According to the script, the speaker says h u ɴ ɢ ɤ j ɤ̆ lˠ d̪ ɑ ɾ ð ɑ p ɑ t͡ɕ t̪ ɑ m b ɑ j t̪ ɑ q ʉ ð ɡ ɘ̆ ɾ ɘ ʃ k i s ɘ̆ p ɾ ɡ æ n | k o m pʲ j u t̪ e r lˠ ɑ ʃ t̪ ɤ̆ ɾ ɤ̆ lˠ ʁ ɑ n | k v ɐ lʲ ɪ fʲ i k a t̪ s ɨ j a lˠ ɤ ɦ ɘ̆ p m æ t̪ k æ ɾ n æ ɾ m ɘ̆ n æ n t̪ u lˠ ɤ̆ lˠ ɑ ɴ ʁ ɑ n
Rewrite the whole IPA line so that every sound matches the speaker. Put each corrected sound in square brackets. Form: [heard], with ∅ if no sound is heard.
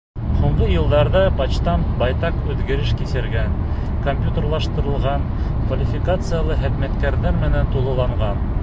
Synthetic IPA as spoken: h u ɴ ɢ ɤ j ɤ̆ lˠ d̪ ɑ ɾ ð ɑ p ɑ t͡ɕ t̪ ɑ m b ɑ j t̪ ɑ q ʉ ð ɡ ɘ̆ ɾ ɘ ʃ k i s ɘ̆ [∅] ɾ ɡ æ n | k o m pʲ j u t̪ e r lˠ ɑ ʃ t̪ ɤ̆ ɾ ɤ̆ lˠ ʁ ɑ n | k v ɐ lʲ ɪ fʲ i k a t̪ s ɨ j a lˠ ɤ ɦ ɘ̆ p m æ t̪ k æ ɾ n æ ɾ m ɘ̆ n æ n t̪ u lˠ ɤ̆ lˠ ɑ ɴ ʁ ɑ n

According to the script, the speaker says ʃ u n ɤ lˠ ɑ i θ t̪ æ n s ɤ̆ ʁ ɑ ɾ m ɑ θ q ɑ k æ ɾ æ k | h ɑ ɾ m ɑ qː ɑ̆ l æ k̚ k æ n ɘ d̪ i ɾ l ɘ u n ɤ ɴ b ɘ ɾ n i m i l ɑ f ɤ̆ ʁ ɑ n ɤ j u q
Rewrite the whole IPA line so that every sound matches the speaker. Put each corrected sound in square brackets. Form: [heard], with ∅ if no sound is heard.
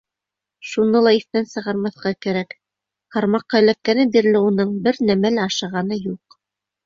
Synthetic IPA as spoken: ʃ u n ɤ lˠ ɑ i θ t̪ æ n s ɤ̆ ʁ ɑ ɾ m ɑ θ q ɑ k æ ɾ æ k | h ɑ ɾ m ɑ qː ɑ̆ l æ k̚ k æ n ɘ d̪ i ɾ l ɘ u n ɤ ɴ b ɘ ɾ n [æ] m [æ] l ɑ [ʃ] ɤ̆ ʁ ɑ n ɤ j u q

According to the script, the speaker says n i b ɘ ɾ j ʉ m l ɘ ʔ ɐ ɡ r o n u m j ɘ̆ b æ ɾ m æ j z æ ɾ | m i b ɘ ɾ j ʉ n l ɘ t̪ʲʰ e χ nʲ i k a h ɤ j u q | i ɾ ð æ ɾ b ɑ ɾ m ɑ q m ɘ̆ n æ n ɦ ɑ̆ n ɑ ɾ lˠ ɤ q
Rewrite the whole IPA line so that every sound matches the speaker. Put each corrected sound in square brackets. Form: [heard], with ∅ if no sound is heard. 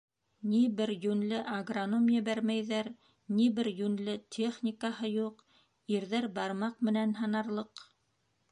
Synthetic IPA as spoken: n i b ɘ ɾ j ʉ [n] l ɘ ʔ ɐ ɡ r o n [o] m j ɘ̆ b æ ɾ m æ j [ð] æ ɾ | [n] i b ɘ ɾ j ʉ n l ɘ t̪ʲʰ e χ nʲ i k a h ɤ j u q | i ɾ ð æ ɾ b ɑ ɾ m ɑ q m ɘ̆ n æ n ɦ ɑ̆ n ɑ ɾ lˠ ɤ q

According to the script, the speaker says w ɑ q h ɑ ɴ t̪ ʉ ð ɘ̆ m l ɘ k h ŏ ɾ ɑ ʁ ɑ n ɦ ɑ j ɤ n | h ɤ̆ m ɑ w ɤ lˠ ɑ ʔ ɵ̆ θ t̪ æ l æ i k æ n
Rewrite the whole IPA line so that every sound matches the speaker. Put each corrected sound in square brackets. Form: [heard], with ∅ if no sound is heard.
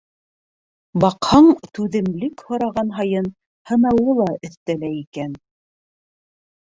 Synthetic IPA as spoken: [b] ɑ q h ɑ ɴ t̪ ʉ ð ɘ̆ m l ɘ k h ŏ ɾ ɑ ʁ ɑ n ɦ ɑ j ɤ n | h ɤ̆ [n] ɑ w ɤ lˠ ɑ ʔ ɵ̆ θ t̪ æ l æ i k æ n

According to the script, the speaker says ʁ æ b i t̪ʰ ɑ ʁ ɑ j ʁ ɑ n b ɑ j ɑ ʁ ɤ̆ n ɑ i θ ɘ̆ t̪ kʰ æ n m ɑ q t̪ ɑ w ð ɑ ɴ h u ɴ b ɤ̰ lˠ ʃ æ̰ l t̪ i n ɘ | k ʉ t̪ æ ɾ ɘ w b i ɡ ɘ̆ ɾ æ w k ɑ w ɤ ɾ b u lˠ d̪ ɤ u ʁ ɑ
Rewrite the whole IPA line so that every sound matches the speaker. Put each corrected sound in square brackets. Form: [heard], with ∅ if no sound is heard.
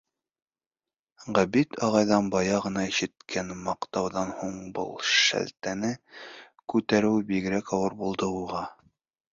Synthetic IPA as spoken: ʁ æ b i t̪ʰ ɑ ʁ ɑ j [ð] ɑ n b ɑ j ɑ ʁ ɤ̆ n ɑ i [ʃ] ɘ̆ t̪ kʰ æ n m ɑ q t̪ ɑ w ð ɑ [n] h u ɴ b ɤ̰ lˠ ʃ æ̰ l t̪ [æ] n ɘ | k ʉ t̪ æ ɾ ɘ w b i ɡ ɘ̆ ɾ æ [∅] k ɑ w ɤ ɾ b u lˠ d̪ ɤ u ʁ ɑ

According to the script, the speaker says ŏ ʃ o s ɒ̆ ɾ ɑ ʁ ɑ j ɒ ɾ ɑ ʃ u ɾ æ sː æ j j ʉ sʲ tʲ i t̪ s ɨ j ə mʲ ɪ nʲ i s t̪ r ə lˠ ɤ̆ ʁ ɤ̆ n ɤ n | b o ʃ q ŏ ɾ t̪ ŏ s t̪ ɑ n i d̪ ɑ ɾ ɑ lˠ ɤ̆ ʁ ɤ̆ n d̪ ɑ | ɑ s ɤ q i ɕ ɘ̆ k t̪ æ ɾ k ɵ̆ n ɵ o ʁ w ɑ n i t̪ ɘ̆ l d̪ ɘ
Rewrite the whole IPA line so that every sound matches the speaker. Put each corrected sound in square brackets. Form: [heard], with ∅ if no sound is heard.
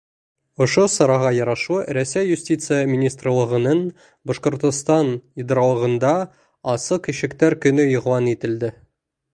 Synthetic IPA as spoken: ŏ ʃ o s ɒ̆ ɾ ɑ ʁ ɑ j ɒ ɾ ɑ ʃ u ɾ æ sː æ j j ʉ sʲ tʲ i t̪ s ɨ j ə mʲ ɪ nʲ i s t̪ r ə lˠ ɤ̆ ʁ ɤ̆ n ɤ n | b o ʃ q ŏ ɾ t̪ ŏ s t̪ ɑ n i d̪ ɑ ɾ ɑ lˠ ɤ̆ ʁ ɤ̆ n d̪ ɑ | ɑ s ɤ q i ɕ ɘ̆ k t̪ æ ɾ k ɵ̆ n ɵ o ʁ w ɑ n i t̪ ɘ̆ l d̪ ɘ

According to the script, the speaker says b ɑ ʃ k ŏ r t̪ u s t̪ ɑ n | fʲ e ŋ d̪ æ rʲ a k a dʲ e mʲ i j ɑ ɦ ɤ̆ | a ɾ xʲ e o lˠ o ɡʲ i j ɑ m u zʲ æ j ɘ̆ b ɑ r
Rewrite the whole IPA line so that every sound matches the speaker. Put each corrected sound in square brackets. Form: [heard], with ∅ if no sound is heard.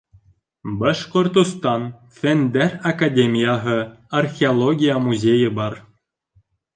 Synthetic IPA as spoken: b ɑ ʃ k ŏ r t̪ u s t̪ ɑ n | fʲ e [n] d̪ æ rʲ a k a dʲ e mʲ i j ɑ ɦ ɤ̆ | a [r] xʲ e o lˠ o ɡʲ i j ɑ m u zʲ [e] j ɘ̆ b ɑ r

